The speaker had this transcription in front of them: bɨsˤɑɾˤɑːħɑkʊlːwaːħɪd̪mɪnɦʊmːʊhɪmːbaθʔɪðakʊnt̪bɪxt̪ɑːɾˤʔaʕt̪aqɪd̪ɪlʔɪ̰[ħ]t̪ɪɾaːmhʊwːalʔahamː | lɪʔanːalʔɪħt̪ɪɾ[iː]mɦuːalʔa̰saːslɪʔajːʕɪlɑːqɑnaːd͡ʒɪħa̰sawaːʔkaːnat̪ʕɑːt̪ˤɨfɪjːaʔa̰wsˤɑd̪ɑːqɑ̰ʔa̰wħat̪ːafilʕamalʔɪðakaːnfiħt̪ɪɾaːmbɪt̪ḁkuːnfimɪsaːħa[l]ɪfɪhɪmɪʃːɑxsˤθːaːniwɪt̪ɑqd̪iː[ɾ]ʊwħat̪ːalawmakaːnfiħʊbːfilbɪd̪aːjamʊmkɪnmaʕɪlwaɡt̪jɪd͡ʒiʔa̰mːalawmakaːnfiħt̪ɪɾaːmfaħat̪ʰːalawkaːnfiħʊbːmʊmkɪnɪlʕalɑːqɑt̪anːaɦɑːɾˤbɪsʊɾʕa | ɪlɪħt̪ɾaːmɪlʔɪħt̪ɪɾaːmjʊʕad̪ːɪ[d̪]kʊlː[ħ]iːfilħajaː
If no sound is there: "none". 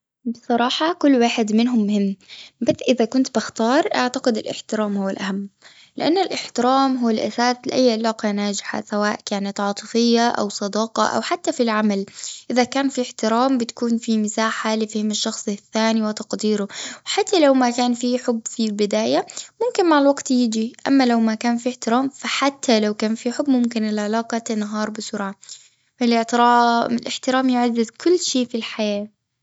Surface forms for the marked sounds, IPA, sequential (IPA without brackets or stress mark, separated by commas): ħ, aː, l, ɾ, d̪, ʃ